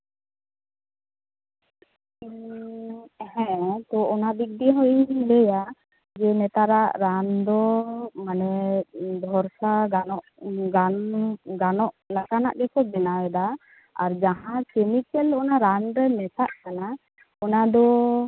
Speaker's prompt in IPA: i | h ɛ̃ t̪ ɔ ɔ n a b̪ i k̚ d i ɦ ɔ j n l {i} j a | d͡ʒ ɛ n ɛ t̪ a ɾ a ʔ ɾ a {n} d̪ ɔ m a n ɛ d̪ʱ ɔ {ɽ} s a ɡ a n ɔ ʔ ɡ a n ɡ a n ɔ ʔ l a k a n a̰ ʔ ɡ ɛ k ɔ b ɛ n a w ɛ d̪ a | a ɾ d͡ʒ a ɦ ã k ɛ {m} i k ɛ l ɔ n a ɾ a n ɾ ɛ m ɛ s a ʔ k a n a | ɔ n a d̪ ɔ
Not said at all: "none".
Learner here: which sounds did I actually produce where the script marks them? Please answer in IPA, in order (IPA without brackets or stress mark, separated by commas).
ɛ, n, ɾ, m